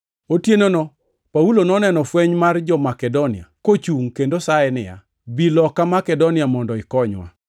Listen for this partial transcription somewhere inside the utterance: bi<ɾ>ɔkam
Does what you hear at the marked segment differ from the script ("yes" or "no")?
yes